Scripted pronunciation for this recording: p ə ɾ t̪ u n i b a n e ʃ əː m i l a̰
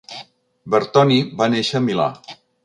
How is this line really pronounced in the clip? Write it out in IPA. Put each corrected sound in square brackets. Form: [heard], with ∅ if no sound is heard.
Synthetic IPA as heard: [b] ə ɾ t̪ [ɔ] n i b a n e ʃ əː m i l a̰